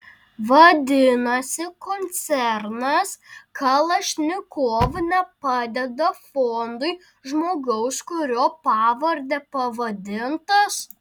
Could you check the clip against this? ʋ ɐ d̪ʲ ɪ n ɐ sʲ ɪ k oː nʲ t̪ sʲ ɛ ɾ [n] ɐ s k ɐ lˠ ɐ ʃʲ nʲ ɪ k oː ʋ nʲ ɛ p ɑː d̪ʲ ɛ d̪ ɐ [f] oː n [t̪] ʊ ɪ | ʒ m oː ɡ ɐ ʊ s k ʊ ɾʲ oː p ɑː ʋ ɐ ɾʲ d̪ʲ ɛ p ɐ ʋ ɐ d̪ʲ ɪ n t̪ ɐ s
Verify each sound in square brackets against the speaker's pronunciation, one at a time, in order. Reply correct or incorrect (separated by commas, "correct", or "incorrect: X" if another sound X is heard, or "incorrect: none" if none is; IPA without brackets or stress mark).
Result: correct, correct, incorrect: d̪